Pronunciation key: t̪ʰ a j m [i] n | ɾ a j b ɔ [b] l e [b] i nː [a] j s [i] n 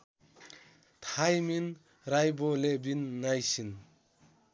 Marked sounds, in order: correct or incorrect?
correct, incorrect, correct, correct, correct

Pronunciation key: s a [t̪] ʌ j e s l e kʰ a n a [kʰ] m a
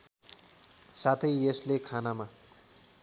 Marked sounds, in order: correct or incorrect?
incorrect, incorrect

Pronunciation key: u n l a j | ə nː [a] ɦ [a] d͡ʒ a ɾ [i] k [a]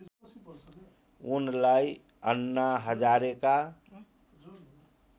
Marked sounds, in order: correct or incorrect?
correct, incorrect, incorrect, correct

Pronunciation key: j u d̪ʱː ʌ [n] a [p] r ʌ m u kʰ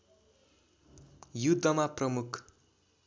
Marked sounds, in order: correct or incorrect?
incorrect, correct

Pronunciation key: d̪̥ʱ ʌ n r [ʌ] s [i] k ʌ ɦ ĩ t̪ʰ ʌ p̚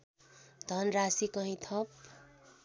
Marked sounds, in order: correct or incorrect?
incorrect, correct

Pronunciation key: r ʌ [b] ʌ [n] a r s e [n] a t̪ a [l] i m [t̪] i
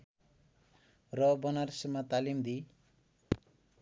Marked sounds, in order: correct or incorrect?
correct, correct, incorrect, correct, incorrect

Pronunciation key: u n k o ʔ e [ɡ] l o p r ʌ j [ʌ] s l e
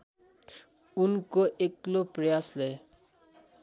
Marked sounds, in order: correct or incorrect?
incorrect, incorrect

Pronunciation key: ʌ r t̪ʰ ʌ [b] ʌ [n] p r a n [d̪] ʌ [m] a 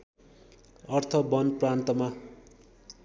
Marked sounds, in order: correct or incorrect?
correct, correct, incorrect, correct

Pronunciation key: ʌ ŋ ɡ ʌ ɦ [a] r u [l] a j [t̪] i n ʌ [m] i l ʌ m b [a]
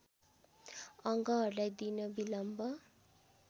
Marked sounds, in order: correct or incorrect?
incorrect, correct, incorrect, incorrect, incorrect

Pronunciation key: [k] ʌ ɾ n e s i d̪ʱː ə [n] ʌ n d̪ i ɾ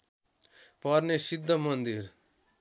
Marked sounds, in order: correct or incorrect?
incorrect, incorrect

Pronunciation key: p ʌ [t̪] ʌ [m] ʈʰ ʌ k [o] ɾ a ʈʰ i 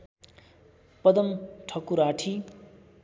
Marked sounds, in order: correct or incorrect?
incorrect, correct, incorrect

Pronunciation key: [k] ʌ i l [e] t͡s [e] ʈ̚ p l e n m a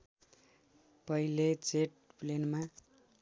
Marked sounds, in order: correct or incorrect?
incorrect, correct, correct

